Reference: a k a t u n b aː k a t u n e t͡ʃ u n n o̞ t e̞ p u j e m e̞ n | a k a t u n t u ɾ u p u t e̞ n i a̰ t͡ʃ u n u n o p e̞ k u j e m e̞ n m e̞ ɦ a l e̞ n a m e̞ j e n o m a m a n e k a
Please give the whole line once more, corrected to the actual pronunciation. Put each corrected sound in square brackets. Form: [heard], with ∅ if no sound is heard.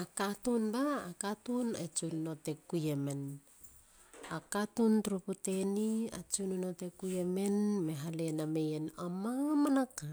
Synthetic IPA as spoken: a k a t u n b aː k a t u n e t͡ʃ u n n o̞ t e̞ [k] u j e m e̞ n | a k a t u n t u ɾ u p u t e̞ n i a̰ t͡ʃ u n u n o [t] e̞ k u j e m e̞ n m e̞ ɦ a l e̞ n a m e̞ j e n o m a m a n [a] k a